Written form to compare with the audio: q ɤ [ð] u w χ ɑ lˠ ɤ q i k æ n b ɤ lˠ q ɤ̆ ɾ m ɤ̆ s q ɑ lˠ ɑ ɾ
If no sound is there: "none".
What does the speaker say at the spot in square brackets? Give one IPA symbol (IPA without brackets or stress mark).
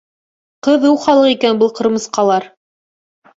ð